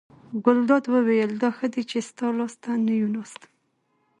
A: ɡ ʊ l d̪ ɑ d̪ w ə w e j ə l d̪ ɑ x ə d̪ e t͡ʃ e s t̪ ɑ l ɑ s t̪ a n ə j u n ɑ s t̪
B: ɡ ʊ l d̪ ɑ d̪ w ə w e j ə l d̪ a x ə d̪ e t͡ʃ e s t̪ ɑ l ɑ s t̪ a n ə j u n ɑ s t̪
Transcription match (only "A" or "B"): A